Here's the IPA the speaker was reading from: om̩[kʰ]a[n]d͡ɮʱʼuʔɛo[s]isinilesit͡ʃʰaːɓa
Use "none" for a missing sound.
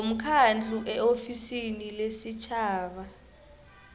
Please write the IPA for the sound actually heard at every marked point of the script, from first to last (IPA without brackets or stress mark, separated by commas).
kʰ, n, f